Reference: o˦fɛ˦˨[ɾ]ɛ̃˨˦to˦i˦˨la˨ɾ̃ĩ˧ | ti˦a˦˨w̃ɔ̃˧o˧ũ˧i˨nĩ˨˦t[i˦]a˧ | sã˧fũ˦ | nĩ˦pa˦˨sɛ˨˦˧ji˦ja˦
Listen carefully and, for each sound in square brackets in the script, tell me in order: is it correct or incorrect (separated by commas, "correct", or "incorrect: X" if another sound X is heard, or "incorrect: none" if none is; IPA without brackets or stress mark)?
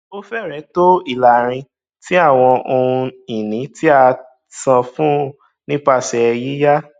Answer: correct, correct